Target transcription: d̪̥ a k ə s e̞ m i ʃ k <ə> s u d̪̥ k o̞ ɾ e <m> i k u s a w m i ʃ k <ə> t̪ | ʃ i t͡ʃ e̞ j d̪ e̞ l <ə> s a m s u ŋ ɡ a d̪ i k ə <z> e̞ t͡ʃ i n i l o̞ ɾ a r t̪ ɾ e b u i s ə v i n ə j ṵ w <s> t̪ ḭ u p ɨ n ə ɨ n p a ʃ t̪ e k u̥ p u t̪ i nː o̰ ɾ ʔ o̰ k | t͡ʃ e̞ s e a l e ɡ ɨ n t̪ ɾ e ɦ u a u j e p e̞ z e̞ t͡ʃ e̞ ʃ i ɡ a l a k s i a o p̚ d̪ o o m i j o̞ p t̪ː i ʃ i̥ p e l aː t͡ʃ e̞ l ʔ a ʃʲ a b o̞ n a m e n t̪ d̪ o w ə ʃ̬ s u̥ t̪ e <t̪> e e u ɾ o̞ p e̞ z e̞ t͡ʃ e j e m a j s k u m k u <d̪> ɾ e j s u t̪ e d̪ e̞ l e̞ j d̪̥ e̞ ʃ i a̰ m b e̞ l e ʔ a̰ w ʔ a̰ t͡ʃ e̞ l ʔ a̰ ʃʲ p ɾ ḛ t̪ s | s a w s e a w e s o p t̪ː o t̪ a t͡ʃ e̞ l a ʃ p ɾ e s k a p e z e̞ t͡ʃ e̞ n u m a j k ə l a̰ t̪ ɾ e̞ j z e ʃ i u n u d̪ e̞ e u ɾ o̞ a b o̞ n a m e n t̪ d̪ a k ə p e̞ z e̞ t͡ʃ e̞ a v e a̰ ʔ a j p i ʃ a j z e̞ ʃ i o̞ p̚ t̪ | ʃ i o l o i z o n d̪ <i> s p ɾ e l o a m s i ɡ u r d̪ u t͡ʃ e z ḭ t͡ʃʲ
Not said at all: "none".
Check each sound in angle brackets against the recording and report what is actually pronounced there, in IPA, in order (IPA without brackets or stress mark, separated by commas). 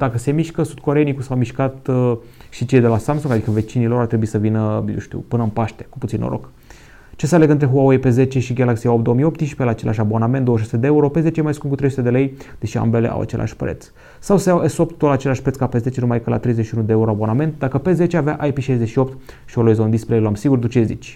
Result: ə, n, a, a, v, ʃ, d̪, t̪, i